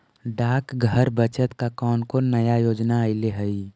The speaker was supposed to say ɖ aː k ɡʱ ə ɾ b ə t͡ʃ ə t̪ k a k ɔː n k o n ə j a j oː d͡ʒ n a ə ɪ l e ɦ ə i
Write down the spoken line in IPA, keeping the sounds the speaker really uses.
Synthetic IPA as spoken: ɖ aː k ɡʱ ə ɾ b ə t͡ʃ ə t̪ k a k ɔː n k o n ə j a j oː d͡ʒ n a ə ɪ l e ɦ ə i

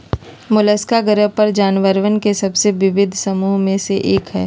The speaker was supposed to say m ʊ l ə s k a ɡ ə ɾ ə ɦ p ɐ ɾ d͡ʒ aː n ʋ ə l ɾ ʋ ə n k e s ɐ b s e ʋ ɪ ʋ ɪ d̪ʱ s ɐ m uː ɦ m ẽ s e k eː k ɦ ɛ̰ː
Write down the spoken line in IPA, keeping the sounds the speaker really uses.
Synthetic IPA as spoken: m ʊ l ə s k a ɡ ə ɾ ə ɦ p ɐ ɾ d͡ʒ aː n ʋ ə ɾ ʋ ə n k e s ɐ b s e ʋ ɪ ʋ ɪ d̪ʱ s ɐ m uː ɦ m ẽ s e ʔ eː k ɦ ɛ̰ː

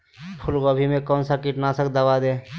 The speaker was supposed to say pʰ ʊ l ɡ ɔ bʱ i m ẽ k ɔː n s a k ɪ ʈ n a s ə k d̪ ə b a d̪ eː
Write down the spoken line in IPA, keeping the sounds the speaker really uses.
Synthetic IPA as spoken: pʰ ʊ l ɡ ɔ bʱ i m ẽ k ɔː n s a k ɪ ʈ n a s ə k d̪ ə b a d̪ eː

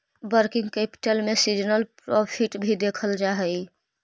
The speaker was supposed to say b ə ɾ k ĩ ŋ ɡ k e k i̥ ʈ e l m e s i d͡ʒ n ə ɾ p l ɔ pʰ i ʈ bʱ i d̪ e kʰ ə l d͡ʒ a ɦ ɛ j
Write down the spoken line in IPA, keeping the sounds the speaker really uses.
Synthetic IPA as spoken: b ə ɾ k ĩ ŋ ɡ k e p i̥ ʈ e l m e s i d͡ʒ n ə l p ɾ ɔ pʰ i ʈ bʱ i d̪ e kʰ ə l d͡ʒ a ɦ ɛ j

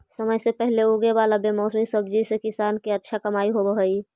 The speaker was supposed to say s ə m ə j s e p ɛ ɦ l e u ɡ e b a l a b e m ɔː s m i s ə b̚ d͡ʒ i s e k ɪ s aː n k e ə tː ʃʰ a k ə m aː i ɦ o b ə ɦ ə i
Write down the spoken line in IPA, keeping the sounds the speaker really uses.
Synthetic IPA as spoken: s ə m ə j s e p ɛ ɦ l e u ɡ e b a l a b e m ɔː s m i s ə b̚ d͡ʒ i s e k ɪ s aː n k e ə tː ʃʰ a k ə m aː i ɦ o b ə ɦ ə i

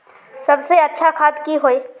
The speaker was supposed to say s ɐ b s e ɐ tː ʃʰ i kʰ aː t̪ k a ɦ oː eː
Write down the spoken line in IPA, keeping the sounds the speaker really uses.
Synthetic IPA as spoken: s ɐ b s e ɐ tː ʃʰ a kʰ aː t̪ k i ɦ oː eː

